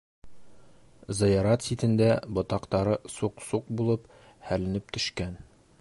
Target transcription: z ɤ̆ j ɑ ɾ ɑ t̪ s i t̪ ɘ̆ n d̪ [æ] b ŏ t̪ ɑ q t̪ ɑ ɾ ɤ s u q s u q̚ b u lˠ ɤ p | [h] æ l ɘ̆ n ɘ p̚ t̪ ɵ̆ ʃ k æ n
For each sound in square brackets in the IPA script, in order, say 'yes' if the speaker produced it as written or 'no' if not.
yes, yes

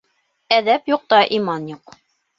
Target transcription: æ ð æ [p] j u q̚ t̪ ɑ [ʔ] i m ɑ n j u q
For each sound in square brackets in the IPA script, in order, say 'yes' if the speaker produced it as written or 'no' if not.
yes, yes

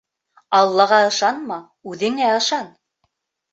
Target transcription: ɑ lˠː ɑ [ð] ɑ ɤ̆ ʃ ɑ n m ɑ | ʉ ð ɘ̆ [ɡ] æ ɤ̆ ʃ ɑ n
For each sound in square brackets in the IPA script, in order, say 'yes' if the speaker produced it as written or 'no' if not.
no, no

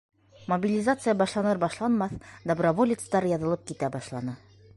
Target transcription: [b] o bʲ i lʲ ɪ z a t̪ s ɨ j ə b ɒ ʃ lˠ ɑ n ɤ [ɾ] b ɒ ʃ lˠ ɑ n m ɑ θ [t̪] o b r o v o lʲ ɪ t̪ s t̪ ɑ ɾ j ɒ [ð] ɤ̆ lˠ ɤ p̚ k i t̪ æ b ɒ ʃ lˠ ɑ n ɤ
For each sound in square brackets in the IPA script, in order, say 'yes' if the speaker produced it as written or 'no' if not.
no, yes, no, yes

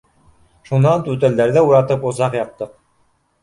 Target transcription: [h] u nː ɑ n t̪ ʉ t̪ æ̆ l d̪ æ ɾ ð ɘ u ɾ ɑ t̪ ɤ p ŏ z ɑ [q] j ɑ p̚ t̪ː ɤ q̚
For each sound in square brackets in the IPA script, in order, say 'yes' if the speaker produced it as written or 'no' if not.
no, yes

